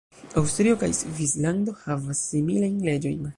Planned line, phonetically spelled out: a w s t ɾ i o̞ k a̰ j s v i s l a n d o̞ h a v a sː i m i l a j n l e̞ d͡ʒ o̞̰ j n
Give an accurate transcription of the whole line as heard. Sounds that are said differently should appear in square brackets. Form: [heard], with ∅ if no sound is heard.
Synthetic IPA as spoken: a w s t ɾ i o̞ k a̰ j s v i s l a n d o̞ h a v a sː i m i l a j n l e̞ d͡ʒ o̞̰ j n